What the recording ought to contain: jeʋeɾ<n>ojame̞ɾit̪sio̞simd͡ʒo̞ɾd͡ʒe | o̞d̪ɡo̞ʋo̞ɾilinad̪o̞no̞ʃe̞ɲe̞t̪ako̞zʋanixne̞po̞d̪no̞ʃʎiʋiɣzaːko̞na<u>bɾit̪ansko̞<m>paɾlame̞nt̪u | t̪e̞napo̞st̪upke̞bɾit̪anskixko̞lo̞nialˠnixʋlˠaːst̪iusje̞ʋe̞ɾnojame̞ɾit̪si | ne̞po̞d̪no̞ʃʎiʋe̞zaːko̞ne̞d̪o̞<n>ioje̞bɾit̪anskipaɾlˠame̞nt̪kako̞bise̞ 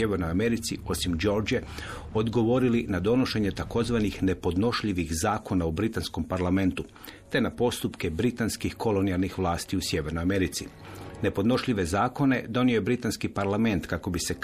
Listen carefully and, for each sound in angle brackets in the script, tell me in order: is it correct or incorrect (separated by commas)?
correct, correct, correct, correct